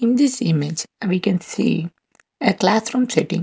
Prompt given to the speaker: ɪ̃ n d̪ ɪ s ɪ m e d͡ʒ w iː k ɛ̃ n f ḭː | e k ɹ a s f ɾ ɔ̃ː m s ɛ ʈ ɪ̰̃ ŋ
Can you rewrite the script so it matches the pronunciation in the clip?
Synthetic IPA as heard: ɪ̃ n d̪ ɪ s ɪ m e d͡ʒ ʋ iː k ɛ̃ n s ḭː | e k l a s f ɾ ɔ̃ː m s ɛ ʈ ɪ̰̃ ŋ